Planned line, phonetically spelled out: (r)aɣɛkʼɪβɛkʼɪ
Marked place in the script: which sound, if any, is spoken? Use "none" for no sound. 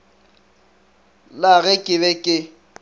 l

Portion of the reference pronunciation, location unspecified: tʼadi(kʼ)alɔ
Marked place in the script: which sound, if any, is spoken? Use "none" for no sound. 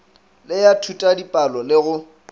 pʼ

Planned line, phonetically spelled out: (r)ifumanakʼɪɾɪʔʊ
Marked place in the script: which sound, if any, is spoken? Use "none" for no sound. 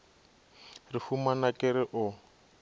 r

